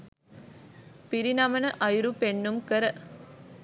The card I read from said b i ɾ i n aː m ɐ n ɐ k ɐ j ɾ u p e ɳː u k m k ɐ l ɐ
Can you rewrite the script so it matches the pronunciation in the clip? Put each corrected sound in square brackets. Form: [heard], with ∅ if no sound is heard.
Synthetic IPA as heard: [p] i ɾ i n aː m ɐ n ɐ [ʔ] ɐ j ɾ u p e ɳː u [∅] m k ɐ [ɾ] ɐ